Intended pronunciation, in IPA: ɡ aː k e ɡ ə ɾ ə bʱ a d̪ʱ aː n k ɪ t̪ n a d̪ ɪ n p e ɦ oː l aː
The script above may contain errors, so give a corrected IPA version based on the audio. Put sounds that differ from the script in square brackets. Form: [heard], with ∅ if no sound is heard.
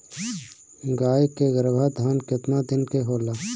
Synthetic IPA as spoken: ɡ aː k e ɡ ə ɾ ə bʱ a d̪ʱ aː n k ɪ t̪ n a d̪ ɪ n [k] e ɦ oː l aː